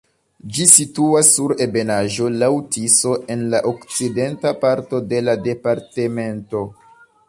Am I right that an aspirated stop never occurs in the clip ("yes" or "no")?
yes